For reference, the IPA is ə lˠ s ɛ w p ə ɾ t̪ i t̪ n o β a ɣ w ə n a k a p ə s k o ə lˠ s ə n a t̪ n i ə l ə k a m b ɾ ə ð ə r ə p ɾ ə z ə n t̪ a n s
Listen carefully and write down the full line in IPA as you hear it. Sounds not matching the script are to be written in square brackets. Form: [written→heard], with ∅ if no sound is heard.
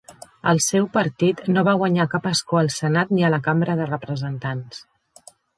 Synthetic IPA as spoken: ə lˠ s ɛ w p ə ɾ t̪ i t̪ n o β a ɣ w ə [n→ɲ] a k a p ə s k o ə lˠ s ə n a t̪ n i ə l ə k a m b ɾ ə ð ə r ə p ɾ ə z ə n t̪ a n s